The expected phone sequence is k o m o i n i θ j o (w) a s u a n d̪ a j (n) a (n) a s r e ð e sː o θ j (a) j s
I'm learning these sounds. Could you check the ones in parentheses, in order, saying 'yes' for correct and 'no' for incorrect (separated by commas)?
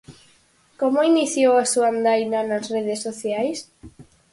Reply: yes, yes, yes, yes